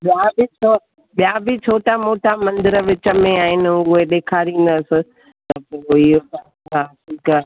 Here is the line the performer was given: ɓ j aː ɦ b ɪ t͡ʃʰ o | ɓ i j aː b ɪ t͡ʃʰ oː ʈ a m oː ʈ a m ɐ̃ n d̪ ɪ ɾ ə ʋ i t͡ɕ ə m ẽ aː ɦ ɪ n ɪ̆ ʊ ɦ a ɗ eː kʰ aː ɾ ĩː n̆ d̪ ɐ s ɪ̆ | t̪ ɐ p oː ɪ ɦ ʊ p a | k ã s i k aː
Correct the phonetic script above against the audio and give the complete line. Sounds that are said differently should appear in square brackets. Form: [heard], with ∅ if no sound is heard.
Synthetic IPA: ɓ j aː [∅] b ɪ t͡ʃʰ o | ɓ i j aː b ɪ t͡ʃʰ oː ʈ a m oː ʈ a m ɐ̃ n d̪ ɪ ɾ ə ʋ [ɪ] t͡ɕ ə m ẽ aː ɦ ɪ n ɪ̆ ʊ ɦ [e] ɗ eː kʰ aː ɾ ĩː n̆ d̪ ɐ s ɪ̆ | t̪ ɐ p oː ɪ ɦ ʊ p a | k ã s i k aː